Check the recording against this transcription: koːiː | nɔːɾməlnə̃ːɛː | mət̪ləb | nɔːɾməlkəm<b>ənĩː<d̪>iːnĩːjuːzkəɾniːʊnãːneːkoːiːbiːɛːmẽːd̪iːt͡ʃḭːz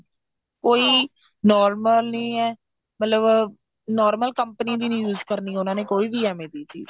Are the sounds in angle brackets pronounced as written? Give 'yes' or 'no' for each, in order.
no, yes

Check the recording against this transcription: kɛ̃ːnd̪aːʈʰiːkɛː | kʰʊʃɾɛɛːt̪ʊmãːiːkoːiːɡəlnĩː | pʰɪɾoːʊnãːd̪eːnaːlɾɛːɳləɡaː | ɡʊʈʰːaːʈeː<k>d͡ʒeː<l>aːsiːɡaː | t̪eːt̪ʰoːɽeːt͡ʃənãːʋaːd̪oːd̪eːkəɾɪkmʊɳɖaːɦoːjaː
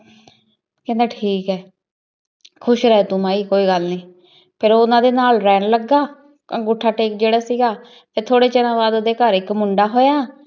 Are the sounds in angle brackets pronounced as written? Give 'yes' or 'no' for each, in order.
yes, no

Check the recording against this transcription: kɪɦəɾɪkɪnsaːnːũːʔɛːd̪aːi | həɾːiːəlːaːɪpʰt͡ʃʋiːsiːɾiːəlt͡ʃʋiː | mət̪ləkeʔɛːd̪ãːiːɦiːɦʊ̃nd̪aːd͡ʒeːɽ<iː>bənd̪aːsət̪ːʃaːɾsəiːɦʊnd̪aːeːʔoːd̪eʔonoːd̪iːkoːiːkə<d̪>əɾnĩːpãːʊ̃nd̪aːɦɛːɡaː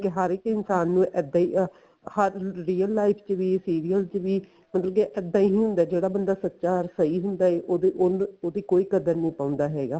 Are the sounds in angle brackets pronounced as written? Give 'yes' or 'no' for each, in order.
no, yes

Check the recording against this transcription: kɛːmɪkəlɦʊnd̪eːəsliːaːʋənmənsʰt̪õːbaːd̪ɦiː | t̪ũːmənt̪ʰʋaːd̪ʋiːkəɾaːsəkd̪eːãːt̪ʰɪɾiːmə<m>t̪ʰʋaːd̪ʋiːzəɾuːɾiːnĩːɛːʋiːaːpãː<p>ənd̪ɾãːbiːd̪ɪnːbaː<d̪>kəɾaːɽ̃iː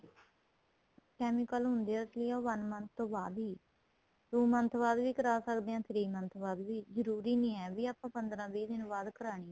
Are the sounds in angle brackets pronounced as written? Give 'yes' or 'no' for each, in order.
no, yes, yes

